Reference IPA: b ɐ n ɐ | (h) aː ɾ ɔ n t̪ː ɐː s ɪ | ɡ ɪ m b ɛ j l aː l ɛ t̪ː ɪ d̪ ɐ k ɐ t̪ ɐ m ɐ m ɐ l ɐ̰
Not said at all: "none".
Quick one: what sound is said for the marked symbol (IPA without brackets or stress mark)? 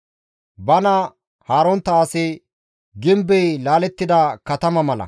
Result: h